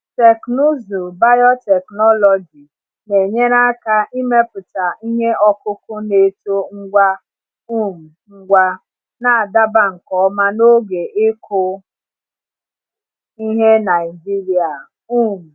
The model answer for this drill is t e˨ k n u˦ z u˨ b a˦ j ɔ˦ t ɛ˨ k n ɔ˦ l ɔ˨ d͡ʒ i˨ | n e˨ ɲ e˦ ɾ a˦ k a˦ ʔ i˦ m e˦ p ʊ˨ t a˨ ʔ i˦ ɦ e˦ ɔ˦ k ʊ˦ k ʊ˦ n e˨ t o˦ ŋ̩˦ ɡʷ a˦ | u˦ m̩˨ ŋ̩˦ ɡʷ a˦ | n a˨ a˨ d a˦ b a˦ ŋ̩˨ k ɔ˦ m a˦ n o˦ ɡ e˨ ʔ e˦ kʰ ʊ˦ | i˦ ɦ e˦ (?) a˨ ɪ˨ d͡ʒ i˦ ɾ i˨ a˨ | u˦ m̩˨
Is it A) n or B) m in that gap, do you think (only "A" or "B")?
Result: A